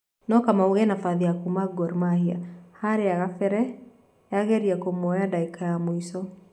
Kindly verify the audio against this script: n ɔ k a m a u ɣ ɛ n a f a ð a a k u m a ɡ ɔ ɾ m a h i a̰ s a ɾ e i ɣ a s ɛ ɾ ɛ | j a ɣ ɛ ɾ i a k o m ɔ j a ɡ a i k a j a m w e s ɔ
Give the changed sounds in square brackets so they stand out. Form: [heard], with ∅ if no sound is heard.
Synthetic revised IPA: n ɔ k a m a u ɣ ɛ n a f a ð [i] a k u m a ɡ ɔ ɾ m a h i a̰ [h] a ɾ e [a] ɣ a [f] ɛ ɾ ɛ | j a ɣ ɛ ɾ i a k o m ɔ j a [d] a i k a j a m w [i] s ɔ